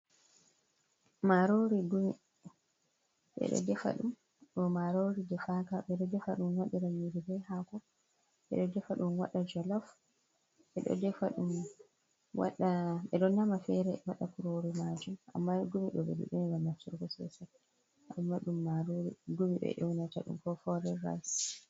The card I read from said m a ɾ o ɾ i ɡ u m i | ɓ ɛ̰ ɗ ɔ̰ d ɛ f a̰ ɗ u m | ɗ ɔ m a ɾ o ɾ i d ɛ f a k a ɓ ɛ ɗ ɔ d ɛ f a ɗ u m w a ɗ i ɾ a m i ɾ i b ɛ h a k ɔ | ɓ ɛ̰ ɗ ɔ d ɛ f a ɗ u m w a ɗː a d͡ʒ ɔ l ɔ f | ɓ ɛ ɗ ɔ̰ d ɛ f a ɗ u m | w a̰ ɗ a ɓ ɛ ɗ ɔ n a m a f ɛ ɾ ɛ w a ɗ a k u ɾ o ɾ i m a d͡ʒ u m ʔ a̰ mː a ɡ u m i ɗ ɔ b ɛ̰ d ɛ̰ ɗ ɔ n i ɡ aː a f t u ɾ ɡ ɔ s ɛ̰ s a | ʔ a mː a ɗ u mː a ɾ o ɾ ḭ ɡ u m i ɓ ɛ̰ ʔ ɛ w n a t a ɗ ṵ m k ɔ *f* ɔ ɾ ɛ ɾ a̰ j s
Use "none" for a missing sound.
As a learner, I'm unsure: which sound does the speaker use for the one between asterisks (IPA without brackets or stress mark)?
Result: f